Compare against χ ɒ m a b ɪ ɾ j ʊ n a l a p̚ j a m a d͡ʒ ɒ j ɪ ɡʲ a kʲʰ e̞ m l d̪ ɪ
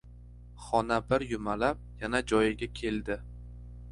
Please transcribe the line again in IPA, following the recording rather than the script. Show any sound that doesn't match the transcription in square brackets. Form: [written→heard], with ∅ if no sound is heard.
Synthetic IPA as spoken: χ ɒ [m→n] a b ɪ ɾ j ʊ [n→m] a l a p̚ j a [m→n] a d͡ʒ ɒ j ɪ ɡʲ a kʲʰ e̞ [m→∅] l d̪ ɪ